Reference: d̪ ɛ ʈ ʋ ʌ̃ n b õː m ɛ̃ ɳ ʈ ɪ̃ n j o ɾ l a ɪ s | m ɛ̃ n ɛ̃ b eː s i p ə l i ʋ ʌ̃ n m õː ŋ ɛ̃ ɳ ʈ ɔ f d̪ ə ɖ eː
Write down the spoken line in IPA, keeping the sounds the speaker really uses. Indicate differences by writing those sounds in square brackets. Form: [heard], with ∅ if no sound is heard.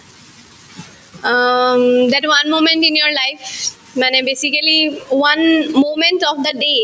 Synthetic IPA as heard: d̪ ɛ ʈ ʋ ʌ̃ n [m] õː m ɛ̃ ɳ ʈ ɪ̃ n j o ɾ l a ɪ [f] | m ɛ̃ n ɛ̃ b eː s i [k] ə l i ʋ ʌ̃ n m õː [m] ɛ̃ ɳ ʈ ɔ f d̪ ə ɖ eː